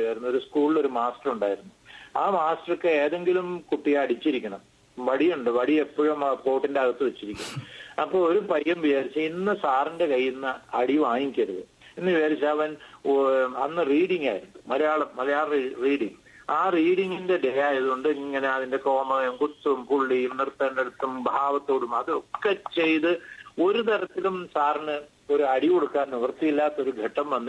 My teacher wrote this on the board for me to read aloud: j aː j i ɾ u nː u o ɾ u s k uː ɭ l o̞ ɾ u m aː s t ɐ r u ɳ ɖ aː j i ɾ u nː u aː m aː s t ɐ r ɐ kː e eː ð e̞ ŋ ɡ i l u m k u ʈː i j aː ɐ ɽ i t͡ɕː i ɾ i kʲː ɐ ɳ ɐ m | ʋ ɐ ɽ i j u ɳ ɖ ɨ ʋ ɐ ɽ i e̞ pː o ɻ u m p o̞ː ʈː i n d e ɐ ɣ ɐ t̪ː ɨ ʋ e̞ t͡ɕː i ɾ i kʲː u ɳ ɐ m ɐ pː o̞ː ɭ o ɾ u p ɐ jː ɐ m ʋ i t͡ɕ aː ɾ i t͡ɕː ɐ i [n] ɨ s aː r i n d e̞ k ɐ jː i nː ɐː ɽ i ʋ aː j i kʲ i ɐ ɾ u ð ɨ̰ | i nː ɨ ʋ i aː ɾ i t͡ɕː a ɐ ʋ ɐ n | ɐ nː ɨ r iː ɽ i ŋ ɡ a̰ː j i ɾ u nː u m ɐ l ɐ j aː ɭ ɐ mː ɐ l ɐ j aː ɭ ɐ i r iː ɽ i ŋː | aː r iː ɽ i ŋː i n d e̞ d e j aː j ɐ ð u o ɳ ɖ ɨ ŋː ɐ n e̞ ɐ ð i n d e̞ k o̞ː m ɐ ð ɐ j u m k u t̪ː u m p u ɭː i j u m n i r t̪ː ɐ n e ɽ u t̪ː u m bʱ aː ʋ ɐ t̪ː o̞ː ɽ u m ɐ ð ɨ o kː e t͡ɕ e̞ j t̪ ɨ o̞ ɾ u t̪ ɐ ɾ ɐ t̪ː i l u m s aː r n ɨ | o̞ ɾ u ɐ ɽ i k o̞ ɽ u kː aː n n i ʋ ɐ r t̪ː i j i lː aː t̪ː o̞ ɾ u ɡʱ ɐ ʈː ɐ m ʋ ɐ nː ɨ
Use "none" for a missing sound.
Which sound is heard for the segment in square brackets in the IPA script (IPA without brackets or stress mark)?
nː